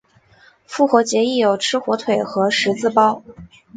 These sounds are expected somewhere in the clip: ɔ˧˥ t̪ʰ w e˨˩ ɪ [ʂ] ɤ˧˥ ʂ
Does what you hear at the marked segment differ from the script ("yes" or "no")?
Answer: yes